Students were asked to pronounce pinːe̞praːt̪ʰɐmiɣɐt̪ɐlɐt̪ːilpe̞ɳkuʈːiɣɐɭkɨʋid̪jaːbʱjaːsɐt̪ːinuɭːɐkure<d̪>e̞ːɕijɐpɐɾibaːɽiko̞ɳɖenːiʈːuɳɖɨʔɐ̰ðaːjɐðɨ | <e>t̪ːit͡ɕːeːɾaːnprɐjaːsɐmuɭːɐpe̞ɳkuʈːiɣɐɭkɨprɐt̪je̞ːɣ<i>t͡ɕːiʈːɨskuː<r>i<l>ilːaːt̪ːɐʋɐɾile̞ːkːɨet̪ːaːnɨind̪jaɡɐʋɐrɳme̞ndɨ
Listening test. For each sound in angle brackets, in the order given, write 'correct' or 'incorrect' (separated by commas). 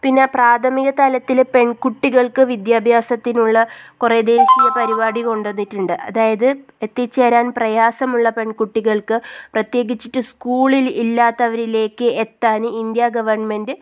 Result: correct, correct, correct, incorrect, correct